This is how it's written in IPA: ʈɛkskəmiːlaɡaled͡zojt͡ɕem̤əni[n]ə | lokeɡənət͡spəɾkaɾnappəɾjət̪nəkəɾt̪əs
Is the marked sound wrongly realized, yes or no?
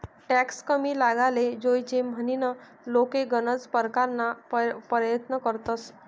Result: no